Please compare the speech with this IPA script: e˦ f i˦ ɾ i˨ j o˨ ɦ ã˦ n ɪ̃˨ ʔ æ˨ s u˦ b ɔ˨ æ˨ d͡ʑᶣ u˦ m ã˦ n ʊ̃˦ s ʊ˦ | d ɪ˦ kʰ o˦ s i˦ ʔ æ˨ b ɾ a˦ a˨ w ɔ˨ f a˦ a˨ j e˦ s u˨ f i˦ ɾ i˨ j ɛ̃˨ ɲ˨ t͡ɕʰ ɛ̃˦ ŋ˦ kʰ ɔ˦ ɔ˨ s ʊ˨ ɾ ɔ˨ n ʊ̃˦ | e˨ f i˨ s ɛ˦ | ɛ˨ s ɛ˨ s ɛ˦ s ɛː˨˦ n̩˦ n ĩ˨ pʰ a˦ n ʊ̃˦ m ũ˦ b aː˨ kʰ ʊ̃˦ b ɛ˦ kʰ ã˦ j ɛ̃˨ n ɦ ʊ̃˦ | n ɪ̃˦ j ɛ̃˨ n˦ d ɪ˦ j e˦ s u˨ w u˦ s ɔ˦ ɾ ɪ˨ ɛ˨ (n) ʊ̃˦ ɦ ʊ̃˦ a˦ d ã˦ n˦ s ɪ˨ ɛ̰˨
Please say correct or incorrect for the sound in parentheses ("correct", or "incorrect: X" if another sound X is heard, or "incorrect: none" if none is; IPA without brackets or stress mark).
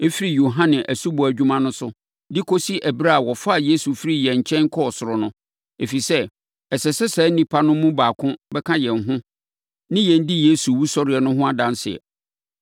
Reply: correct